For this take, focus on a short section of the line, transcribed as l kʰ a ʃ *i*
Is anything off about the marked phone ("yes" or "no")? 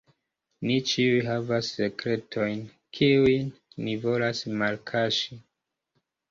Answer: no